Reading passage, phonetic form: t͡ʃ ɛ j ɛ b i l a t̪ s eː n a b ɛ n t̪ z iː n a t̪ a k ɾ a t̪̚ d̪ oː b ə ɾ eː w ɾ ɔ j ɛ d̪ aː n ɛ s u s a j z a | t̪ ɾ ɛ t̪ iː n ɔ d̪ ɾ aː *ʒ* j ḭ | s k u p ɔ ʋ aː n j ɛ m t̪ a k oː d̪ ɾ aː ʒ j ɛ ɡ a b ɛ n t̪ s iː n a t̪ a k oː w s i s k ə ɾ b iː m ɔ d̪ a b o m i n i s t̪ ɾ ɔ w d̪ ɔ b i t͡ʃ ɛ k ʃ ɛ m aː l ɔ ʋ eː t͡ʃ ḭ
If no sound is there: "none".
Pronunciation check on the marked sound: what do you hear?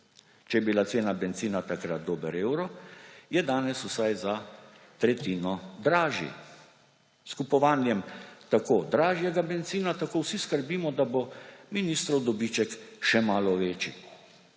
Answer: ʒ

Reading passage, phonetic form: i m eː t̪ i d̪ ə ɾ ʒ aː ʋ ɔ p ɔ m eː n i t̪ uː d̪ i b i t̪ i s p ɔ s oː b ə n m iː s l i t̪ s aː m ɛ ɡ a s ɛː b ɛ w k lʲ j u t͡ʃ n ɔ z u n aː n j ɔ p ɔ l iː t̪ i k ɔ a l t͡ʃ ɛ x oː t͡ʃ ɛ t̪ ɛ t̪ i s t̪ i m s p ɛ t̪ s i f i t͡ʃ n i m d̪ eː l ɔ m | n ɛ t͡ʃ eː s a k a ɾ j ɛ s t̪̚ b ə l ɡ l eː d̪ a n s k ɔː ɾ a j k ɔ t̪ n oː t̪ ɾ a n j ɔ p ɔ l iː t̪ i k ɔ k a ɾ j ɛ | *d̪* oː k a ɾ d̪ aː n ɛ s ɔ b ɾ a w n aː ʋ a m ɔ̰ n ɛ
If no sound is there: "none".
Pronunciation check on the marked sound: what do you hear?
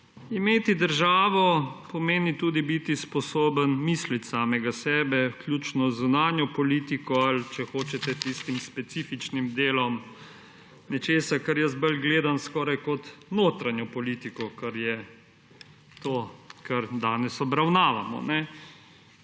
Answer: t̪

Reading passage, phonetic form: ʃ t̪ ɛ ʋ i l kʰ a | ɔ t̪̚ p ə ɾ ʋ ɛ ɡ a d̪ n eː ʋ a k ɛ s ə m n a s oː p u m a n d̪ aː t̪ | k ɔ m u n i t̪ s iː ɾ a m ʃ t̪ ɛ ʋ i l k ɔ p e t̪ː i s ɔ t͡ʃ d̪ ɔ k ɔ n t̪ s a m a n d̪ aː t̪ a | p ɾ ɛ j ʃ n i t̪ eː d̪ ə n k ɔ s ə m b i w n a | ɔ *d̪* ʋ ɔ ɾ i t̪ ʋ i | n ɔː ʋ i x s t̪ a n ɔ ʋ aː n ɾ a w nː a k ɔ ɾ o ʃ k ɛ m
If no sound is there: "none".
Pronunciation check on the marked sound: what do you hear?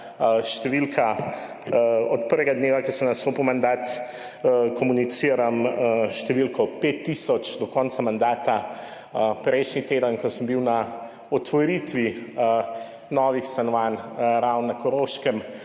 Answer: t̪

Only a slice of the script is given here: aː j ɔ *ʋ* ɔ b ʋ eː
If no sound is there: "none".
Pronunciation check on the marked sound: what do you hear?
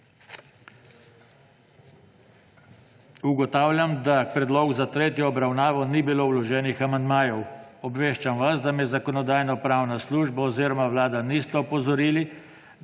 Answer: w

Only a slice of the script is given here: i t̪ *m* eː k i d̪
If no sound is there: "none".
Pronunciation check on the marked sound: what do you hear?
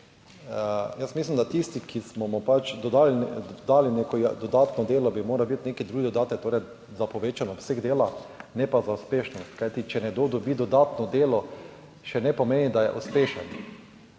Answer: n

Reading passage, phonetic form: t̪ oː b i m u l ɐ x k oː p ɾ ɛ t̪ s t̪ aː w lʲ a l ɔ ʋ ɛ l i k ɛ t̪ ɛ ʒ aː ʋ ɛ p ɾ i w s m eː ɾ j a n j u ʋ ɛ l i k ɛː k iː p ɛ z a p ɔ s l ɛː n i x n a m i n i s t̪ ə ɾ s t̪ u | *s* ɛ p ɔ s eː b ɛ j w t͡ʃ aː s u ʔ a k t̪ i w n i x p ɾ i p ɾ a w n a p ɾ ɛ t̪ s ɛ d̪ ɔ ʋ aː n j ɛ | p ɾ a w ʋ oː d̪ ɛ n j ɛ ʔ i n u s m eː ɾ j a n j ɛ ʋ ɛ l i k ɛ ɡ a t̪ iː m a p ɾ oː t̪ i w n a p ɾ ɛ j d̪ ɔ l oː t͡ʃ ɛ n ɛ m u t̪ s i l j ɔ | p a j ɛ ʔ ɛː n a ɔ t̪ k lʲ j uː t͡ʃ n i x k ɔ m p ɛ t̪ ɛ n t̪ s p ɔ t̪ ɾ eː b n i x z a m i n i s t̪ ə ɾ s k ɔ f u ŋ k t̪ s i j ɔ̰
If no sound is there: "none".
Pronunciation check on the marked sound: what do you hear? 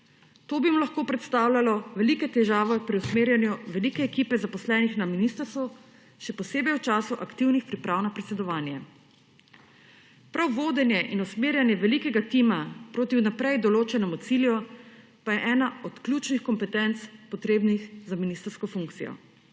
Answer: ʃ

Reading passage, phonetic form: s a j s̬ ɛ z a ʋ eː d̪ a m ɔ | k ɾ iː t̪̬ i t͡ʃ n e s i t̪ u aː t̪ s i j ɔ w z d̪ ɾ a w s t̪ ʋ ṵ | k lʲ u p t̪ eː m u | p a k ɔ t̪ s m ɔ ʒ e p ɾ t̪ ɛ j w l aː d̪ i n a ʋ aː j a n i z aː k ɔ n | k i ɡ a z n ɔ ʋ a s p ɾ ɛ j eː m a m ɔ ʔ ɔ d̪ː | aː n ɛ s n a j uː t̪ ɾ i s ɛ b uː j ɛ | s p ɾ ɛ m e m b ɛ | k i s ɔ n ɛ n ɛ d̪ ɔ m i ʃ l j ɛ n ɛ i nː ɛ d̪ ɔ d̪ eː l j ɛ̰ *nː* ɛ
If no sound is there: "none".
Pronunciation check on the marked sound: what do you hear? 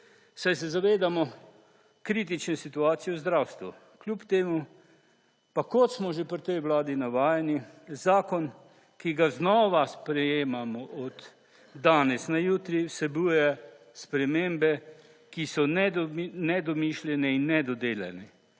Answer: n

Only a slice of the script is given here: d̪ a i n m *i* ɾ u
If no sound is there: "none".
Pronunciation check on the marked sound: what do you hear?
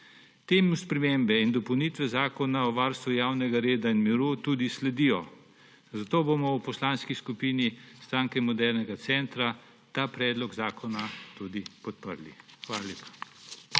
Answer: i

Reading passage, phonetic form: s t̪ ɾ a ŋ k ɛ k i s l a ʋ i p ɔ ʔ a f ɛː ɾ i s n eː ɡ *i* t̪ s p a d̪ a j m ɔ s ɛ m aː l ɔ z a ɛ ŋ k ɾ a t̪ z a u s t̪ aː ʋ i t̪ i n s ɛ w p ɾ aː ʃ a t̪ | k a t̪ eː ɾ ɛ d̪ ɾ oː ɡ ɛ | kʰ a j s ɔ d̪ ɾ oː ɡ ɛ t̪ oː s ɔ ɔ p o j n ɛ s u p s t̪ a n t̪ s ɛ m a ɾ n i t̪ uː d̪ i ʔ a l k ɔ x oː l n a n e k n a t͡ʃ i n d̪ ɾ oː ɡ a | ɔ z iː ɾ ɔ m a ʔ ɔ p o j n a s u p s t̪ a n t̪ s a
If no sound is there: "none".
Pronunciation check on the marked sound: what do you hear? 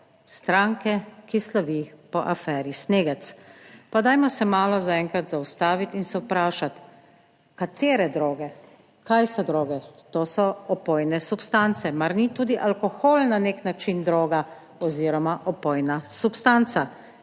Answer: ɛ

